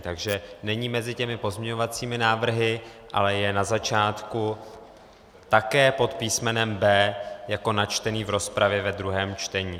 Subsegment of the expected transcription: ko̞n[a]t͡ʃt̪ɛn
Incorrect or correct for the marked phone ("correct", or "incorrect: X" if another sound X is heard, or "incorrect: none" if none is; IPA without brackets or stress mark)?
correct